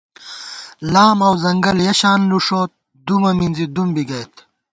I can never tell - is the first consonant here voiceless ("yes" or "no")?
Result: no